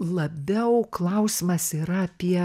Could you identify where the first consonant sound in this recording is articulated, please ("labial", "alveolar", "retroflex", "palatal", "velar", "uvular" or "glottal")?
alveolar